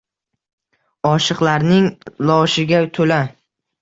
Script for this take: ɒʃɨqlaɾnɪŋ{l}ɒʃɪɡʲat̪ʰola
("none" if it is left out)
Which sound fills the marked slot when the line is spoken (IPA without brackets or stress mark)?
l